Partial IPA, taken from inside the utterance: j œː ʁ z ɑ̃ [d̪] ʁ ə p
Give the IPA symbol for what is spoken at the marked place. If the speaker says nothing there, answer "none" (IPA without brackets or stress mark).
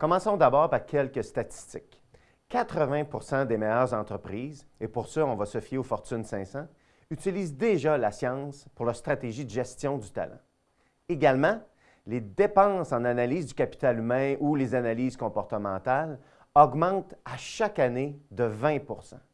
t̪